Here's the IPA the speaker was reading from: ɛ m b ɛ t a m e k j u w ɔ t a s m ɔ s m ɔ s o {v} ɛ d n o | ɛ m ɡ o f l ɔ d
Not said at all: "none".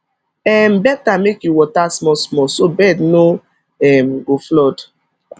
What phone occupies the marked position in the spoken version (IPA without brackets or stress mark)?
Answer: b